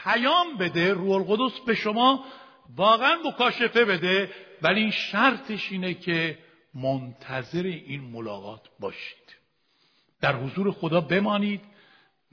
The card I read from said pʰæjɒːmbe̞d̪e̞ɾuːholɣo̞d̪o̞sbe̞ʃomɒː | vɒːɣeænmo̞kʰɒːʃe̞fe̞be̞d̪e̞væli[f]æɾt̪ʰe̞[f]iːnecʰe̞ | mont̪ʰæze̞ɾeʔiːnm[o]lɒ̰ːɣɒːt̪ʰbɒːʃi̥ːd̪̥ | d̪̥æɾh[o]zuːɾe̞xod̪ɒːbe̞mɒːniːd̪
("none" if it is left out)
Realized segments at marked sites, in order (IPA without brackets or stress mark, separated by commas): ʃ, ʃ, o, o